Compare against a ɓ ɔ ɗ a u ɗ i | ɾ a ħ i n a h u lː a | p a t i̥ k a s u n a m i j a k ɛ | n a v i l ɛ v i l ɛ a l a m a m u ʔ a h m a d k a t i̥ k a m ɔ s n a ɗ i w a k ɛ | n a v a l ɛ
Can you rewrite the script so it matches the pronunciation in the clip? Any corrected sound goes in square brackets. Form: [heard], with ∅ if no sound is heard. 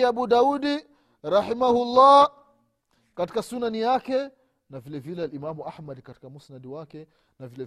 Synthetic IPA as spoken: a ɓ [u] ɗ a u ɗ i | ɾ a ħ i [m] a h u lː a | [k] a t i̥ k a s u n a [n] i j a k ɛ | n a v i l ɛ v i l ɛ a l [i] m a m u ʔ a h m a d k a t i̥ k a m [u] s n a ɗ i w a k ɛ | n a v [i] l ɛ